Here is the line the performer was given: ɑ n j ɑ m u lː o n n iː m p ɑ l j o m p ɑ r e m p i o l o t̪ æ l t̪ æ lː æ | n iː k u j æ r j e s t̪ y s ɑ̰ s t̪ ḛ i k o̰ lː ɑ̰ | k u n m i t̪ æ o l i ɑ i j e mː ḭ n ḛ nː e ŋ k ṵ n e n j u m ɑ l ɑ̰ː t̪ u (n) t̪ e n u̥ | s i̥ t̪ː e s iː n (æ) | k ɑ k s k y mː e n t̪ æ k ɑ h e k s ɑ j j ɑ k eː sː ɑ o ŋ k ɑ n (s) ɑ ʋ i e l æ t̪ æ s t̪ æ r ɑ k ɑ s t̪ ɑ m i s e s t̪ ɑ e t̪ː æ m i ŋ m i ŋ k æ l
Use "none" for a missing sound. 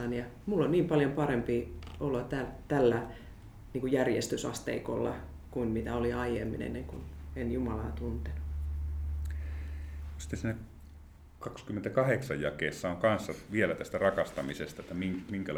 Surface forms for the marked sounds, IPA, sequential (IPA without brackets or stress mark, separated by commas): n, æ, sː